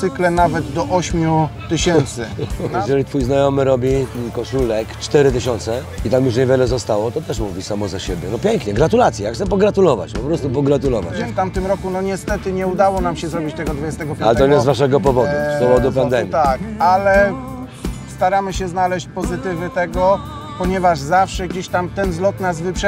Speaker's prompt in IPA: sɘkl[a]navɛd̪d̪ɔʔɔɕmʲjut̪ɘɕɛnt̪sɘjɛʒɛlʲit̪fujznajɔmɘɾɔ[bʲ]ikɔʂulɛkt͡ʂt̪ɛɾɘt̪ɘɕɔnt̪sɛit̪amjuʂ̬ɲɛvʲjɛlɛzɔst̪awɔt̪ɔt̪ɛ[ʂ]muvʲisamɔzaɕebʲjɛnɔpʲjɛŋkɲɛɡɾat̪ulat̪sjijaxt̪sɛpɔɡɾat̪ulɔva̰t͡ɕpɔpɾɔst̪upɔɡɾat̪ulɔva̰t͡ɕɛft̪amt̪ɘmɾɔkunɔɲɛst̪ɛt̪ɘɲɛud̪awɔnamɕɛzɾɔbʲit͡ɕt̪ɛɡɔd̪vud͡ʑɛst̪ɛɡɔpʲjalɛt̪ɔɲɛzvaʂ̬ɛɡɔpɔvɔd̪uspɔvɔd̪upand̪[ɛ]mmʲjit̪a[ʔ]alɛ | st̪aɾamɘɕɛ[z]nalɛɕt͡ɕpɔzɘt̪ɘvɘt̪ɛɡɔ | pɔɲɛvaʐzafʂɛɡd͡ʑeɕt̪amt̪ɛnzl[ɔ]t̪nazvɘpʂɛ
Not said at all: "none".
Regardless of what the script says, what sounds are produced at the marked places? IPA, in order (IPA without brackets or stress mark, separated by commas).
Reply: ɛ, bʲ, ʂ, ɛ, k, z, ɔ